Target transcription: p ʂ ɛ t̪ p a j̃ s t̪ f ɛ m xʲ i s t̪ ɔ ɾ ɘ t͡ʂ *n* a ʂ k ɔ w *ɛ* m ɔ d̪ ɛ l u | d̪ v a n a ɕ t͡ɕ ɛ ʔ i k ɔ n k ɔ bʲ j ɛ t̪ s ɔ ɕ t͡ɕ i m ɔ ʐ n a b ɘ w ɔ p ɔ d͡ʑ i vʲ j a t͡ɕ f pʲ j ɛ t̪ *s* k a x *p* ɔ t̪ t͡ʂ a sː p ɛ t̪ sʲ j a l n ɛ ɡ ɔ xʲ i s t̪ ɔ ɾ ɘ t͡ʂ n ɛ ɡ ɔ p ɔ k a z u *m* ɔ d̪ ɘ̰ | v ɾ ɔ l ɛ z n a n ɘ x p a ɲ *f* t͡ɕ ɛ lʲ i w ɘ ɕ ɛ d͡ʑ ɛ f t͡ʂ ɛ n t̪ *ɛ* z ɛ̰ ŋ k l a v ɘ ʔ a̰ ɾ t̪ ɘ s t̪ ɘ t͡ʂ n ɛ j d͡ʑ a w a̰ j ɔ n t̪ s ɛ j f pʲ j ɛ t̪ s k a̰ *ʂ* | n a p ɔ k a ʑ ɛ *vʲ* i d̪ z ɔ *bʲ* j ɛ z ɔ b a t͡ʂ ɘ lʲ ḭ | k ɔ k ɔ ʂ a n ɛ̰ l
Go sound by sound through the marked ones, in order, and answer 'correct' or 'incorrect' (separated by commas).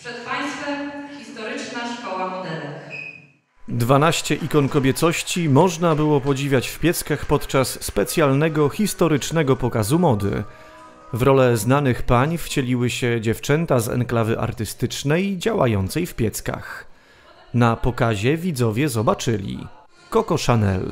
correct, incorrect, correct, correct, correct, correct, incorrect, incorrect, correct, incorrect